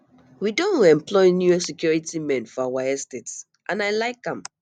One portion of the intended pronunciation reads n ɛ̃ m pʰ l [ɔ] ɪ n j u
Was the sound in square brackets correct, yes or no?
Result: yes